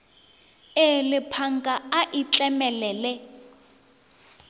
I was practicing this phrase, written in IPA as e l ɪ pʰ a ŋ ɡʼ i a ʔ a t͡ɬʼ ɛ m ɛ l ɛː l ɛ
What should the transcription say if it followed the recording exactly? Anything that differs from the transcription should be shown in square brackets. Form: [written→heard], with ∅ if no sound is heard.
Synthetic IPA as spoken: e l ɪ pʰ a ŋ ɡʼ [i→a] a ʔ [a→i] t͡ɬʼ ɛ m ɛ l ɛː l ɛ